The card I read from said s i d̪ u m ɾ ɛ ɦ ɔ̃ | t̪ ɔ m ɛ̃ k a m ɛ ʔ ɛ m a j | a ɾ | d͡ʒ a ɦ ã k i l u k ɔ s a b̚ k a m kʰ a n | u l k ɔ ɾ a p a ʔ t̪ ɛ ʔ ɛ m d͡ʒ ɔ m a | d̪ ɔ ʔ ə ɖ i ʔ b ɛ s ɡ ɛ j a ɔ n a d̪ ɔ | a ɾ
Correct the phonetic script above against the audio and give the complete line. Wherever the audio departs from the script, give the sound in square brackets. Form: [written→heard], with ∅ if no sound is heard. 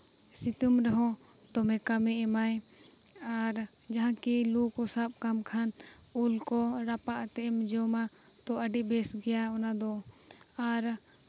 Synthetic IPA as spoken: s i [d̪→t̪] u m ɾ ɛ ɦ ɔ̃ | t̪ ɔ m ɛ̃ k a m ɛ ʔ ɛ m a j | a ɾ | d͡ʒ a ɦ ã k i l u k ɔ s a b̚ k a m kʰ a n | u l k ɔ ɾ a p a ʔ t̪ ɛ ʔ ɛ m d͡ʒ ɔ m a | [d̪→t̪] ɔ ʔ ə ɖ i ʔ b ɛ s ɡ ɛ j a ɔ n a d̪ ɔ | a ɾ